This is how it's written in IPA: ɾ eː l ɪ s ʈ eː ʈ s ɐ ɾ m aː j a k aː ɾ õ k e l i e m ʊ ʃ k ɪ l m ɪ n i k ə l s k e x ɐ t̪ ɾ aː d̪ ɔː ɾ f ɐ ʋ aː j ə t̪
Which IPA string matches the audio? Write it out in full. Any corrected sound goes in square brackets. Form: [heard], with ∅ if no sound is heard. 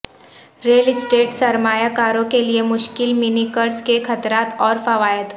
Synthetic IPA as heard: ɾ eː l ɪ s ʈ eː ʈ s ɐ ɾ m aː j a k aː ɾ õ k e l i e m ʊ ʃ k ɪ l m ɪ n i k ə [ɾ] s k e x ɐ t̪ ɾ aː [t̪] ɔː ɾ f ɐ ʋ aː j ə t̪